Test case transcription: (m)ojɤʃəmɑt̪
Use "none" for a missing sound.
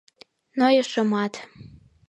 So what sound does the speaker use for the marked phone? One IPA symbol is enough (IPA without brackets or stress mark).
n